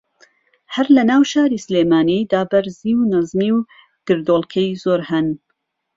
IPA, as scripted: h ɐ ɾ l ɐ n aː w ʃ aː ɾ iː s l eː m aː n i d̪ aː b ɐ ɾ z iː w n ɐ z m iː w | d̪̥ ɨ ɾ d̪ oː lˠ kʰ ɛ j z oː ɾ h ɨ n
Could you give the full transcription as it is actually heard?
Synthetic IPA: h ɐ ɾ l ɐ n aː w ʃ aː ɾ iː s l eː m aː n i d̪ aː b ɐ ɾ z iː w n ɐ z m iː w | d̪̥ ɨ ɾ d̪ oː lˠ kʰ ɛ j z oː ɾ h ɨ n